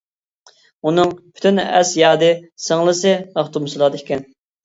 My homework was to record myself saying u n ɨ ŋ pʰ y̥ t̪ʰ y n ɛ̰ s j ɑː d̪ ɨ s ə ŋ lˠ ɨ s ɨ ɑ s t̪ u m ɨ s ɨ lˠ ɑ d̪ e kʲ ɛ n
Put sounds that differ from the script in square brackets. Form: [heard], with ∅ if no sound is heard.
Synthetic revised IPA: u n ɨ ŋ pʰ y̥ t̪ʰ y n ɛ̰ s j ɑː d̪ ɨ s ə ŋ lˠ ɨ s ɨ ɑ [χ] t̪ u m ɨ s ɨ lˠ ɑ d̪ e kʲ ɛ n